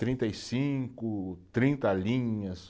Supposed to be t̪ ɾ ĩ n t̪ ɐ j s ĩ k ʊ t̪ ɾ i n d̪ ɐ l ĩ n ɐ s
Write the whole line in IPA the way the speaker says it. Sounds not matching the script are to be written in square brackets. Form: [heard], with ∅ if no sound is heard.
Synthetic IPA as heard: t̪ ɾ ĩ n t̪ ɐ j s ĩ k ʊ t̪ ɾ [ĩ] n [t̪] ɐ l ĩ [ɲ] ɐ s